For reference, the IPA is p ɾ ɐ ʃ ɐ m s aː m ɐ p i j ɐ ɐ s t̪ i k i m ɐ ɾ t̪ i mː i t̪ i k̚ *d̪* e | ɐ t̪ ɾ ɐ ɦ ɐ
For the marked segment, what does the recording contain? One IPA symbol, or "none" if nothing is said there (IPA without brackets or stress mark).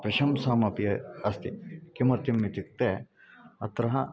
t̪